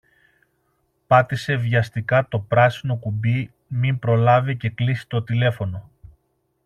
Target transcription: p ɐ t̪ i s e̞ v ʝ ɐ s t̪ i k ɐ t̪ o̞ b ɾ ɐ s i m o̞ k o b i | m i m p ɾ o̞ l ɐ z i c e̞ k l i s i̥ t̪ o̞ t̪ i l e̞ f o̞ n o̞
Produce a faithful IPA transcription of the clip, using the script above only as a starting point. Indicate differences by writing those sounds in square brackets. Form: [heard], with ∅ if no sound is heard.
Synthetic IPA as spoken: p ɐ t̪ i s e̞ v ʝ ɐ s t̪ i k ɐ t̪ o̞ [p] ɾ ɐ s i [n] o̞ k [u] b i | m i m p ɾ o̞ l ɐ [v] i c e̞ k l i s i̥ t̪ o̞ t̪ i l e̞ f o̞ n o̞

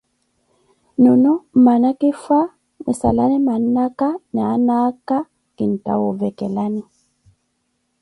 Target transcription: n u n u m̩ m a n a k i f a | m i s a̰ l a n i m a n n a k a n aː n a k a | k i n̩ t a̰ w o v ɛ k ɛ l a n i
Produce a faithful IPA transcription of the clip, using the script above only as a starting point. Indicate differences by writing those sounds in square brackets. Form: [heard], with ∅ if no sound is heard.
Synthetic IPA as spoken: n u n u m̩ m a n a k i f a | m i s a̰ l a n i m a n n a k a n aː n a k a | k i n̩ t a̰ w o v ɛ k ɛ l a n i

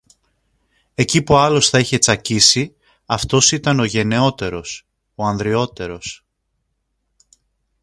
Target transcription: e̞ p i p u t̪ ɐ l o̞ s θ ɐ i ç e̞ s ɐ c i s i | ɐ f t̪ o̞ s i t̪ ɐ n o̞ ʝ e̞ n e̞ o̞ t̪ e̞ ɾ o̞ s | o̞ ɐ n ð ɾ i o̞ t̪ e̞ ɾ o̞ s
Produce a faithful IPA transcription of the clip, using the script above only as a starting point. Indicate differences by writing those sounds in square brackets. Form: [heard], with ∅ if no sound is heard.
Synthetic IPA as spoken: e̞ [c] i p u [∅] ɐ l o̞ s θ ɐ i ç e̞ [t͡s] ɐ c i s i | ɐ f t̪ o̞ s i t̪ ɐ n o̞ ʝ e̞ n e̞ o̞ t̪ e̞ ɾ o̞ s | o̞ ɐ n ð ɾ i o̞ t̪ e̞ ɾ o̞ s

